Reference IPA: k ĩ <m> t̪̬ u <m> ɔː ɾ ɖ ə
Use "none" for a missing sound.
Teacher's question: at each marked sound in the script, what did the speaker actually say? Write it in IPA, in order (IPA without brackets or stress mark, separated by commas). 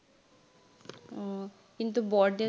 n, b